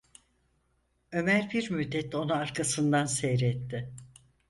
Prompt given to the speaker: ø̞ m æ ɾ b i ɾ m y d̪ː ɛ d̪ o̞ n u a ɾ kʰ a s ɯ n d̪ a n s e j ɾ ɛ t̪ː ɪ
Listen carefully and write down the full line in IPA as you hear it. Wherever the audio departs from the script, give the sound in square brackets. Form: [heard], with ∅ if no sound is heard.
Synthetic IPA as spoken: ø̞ m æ ɾ b i ɾ m y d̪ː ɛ [t̪] o̞ n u a ɾ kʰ a s ɯ n d̪ a n s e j ɾ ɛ t̪ː ɪ